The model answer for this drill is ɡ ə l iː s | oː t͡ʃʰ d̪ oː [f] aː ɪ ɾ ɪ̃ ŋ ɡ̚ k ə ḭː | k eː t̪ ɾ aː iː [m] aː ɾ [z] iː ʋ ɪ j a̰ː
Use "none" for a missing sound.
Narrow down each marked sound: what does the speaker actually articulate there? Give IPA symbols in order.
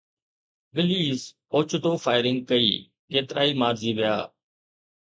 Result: f, m, z

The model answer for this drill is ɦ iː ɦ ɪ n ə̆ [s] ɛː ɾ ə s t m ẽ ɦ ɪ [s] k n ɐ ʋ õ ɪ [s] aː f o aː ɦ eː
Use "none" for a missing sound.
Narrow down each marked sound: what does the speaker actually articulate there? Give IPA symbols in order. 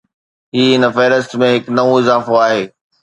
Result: f, none, z

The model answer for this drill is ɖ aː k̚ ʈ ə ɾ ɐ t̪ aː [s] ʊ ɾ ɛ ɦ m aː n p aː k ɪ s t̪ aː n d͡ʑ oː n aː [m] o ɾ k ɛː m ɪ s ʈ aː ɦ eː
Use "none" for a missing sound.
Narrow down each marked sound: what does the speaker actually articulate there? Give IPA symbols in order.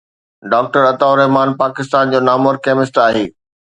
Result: none, m

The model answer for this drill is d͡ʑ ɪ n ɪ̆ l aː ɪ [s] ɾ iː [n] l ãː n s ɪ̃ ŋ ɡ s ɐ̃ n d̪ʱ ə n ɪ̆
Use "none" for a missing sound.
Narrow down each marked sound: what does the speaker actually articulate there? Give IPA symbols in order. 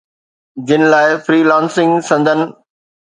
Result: f, none

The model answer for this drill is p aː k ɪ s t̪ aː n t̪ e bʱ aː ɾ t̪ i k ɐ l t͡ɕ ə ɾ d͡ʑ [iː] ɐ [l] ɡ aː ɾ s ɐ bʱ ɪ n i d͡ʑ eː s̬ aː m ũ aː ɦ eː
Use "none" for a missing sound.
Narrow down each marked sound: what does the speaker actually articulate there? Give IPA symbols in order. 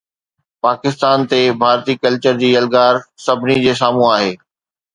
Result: iː, l

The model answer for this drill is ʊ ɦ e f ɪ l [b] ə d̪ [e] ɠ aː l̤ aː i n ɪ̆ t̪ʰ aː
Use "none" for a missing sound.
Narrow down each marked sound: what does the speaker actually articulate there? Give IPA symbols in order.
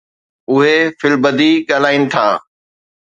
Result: b, i

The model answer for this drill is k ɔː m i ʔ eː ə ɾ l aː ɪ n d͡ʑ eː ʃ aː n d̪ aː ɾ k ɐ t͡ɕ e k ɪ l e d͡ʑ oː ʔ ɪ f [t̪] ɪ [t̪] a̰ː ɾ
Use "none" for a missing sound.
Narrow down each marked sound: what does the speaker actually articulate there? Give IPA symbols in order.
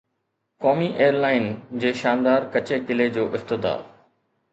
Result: t̪, d̪

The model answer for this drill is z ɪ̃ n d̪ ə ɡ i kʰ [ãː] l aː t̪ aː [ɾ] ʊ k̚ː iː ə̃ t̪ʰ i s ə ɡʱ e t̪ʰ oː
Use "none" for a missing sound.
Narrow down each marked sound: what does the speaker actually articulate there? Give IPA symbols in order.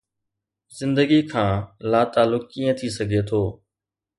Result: ãː, l

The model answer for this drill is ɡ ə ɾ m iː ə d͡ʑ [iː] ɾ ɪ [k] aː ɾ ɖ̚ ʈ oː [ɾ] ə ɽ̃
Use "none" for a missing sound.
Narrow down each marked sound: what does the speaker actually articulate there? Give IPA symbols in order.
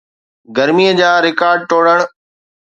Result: aː, k, ɽ

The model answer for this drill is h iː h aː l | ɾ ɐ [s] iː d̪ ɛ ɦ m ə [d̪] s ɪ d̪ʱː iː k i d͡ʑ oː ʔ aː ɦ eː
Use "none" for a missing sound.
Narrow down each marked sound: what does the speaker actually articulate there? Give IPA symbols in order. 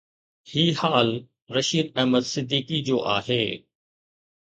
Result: ʃ, d̪

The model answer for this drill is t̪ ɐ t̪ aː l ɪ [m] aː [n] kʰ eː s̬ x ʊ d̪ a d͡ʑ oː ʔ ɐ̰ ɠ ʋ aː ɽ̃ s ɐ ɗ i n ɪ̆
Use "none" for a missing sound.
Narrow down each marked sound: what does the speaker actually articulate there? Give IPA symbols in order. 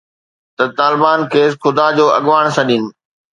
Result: b, n

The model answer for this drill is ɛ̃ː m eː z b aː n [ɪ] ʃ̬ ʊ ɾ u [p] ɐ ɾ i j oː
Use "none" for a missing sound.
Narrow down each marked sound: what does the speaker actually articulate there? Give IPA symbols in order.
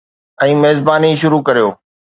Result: i, k

